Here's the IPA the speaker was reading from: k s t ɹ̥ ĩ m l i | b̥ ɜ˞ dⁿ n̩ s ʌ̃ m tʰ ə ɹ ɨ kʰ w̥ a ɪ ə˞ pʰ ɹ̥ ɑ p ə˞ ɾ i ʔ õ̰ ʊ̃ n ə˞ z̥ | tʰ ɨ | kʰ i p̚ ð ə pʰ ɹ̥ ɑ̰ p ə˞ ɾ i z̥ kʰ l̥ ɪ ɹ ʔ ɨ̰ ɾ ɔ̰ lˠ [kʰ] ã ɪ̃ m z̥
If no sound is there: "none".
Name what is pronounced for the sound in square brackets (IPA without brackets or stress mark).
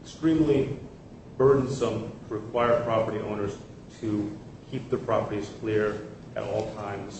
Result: tʰ